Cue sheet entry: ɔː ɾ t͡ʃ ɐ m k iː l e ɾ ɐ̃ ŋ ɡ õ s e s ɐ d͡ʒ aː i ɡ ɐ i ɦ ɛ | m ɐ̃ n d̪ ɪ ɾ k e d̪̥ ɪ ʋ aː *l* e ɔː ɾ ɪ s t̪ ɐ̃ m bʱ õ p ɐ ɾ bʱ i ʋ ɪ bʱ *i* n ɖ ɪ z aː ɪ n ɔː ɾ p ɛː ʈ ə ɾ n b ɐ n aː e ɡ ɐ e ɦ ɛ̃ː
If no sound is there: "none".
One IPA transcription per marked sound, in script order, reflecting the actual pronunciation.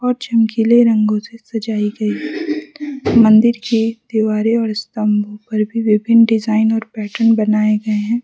ɾ, ɪ

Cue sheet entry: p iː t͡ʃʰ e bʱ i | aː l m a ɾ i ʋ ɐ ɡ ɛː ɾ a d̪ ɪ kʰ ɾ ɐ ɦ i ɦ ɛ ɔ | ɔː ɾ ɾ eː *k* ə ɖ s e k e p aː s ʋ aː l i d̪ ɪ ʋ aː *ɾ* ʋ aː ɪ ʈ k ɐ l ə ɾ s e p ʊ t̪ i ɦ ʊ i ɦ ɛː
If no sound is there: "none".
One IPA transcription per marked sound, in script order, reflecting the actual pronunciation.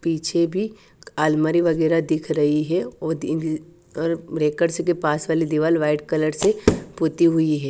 k, l

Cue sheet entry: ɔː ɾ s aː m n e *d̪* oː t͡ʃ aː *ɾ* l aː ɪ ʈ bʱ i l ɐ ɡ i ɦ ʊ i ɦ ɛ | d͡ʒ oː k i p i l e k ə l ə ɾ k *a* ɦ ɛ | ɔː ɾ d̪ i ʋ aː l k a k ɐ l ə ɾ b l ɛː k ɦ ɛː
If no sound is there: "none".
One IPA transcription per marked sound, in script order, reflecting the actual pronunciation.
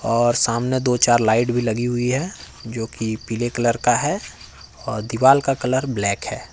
d̪, ɾ, a

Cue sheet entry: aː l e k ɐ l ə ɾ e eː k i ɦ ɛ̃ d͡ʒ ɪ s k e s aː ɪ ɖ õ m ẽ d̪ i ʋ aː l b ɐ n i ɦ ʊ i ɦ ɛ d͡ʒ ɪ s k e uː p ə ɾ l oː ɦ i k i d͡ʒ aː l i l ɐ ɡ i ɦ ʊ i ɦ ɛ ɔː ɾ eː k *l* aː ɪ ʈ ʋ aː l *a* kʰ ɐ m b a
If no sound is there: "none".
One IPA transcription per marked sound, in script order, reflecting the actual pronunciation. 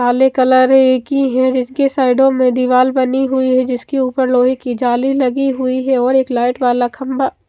l, a

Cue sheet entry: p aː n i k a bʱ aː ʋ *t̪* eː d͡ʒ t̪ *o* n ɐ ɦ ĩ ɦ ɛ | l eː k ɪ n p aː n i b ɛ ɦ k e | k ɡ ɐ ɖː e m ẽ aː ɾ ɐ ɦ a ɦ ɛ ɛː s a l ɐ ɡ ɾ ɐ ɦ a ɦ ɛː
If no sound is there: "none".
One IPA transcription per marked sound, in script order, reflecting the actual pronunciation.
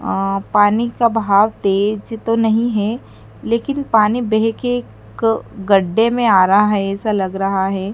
t̪, o

